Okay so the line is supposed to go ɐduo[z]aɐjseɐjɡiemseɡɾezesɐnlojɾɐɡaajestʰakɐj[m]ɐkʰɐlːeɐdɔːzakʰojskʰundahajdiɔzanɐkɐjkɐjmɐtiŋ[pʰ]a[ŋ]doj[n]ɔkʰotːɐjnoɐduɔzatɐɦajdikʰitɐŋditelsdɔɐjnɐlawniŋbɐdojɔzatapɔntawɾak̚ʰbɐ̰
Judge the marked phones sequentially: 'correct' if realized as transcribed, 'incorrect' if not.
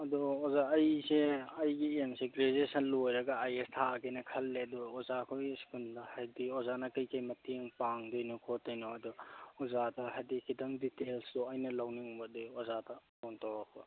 correct, incorrect: n, incorrect: p, correct, correct

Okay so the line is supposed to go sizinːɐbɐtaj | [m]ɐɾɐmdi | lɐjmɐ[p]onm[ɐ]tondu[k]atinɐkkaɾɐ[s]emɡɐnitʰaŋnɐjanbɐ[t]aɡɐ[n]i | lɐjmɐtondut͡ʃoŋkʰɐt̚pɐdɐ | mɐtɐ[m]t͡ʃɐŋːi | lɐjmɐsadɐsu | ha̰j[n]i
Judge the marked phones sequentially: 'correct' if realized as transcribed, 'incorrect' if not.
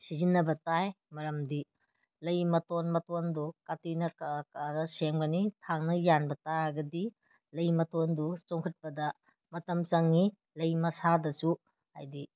correct, incorrect: t, correct, correct, correct, correct, incorrect: d, correct, incorrect: d

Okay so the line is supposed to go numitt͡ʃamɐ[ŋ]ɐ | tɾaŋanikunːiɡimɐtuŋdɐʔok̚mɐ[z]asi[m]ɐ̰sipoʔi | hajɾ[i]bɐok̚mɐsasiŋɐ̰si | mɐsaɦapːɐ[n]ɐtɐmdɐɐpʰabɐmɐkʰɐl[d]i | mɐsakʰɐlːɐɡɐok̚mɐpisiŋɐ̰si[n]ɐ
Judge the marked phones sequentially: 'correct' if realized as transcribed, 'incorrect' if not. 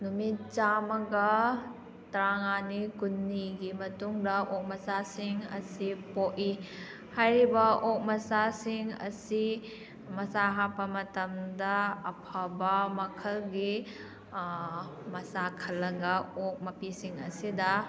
incorrect: ɡ, incorrect: s, incorrect: ŋ, correct, incorrect: m, incorrect: ɡ, incorrect: d

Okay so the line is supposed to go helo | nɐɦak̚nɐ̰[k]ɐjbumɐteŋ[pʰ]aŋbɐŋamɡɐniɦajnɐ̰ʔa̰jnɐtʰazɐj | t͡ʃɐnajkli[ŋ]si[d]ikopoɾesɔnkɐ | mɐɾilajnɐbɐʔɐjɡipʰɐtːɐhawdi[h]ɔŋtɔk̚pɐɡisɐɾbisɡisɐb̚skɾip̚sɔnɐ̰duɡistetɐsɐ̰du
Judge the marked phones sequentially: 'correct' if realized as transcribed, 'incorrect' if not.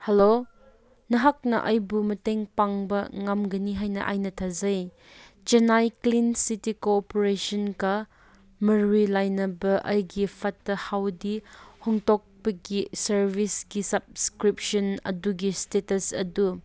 incorrect: ʔ, incorrect: p, incorrect: n, incorrect: t, correct

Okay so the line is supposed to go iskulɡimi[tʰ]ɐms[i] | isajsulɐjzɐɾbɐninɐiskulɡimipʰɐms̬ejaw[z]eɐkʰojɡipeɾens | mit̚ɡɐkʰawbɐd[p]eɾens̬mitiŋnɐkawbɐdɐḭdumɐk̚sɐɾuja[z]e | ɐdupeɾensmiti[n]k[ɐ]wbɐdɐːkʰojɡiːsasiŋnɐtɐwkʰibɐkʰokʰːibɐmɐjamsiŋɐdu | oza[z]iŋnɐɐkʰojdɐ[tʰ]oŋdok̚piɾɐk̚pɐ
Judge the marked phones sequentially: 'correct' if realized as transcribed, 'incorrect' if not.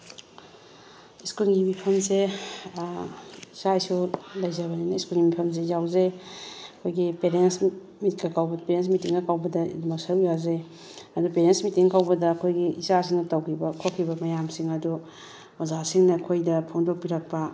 incorrect: pʰ, incorrect: e, correct, correct, correct, incorrect: ŋ, incorrect: a, incorrect: s, incorrect: pʰ

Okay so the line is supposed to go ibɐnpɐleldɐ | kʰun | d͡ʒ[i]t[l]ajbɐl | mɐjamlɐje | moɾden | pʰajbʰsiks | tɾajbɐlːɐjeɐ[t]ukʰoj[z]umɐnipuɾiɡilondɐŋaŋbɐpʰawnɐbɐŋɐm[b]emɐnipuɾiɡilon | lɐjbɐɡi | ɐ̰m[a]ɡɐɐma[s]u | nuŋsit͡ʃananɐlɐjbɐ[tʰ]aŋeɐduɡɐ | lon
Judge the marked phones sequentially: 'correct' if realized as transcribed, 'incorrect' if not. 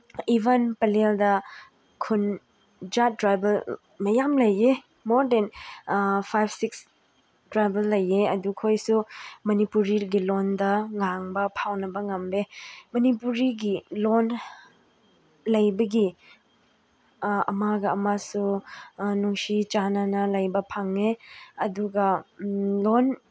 incorrect: a, incorrect: ɾ, incorrect: d, incorrect: s, correct, correct, correct, incorrect: pʰ

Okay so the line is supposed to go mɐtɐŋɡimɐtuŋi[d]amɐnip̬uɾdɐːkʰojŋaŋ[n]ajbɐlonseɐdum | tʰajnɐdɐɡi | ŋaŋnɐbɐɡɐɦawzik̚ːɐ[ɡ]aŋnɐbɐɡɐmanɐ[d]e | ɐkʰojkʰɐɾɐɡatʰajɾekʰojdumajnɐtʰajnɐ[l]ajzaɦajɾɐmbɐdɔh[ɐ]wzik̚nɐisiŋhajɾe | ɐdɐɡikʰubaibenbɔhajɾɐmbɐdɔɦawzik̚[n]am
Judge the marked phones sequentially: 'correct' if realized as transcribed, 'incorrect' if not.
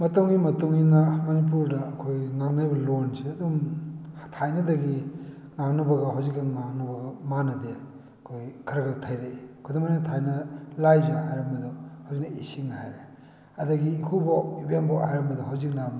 incorrect: n, correct, incorrect: ŋ, correct, correct, incorrect: a, correct

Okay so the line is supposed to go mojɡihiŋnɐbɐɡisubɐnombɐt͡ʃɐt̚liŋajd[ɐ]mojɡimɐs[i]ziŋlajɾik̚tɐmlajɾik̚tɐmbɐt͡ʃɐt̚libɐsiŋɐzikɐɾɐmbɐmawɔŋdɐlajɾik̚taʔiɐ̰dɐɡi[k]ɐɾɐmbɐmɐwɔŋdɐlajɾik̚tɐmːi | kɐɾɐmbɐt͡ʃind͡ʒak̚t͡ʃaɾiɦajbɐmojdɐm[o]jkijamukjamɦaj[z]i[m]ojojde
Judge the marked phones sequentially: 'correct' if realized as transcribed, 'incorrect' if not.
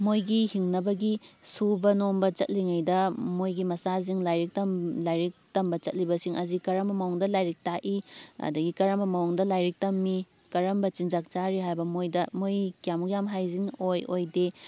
correct, incorrect: a, correct, correct, correct, incorrect: ŋ

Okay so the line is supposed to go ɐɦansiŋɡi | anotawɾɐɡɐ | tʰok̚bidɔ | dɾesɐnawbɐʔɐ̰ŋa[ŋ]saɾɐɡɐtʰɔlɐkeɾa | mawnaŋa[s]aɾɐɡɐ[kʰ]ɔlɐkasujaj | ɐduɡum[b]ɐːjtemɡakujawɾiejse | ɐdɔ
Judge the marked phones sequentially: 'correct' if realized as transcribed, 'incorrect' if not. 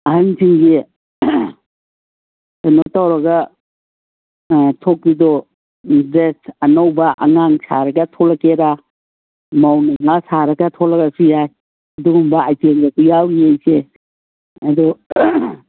correct, correct, incorrect: tʰ, correct

